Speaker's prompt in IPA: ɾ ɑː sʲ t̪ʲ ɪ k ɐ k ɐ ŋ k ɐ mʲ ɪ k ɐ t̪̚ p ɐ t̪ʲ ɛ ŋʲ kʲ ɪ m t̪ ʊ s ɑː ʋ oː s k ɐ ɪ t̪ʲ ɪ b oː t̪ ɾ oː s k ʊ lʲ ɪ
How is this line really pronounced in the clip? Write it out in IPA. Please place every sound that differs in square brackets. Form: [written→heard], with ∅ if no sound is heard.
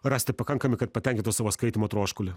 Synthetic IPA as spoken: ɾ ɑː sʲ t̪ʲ ɪ [k→p] ɐ k ɐ ŋ k ɐ mʲ ɪ k ɐ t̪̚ p ɐ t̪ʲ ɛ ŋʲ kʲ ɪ [m→n] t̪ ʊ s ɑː ʋ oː s k ɐ ɪ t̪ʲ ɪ [b→m] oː t̪ ɾ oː [s→ʃ] k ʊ lʲ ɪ